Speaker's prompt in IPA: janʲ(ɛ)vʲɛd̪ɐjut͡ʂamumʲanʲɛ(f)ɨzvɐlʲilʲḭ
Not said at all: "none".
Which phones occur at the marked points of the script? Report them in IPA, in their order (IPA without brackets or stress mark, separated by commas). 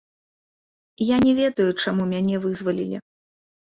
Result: ɛ, v